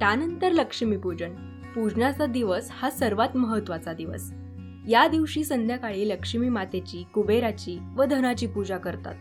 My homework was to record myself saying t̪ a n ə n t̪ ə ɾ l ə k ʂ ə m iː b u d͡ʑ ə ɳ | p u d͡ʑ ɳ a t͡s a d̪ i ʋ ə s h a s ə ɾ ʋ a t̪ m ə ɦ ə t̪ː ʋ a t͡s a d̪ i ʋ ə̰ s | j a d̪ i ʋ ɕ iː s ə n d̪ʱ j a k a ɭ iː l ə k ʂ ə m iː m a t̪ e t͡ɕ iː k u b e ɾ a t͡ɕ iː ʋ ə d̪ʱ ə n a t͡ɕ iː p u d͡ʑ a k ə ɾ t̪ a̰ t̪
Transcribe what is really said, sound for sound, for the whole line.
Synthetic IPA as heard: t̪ a n ə n t̪ ə ɾ l ə k ʂ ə m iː p u d͡ʑ ə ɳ | p u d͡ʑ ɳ a t͡s a d̪ i ʋ ə s h a s ə ɾ ʋ a t̪ m ə ɦ ə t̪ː ʋ a t͡s a d̪ i ʋ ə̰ s | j a d̪ i ʋ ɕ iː s ə n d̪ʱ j a k a ɭ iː l ə k ʂ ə m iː m a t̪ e t͡ɕ iː k u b e ɾ a t͡ɕ iː ʋ ə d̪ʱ ə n a t͡ɕ iː p u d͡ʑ a k ə ɾ t̪ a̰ t̪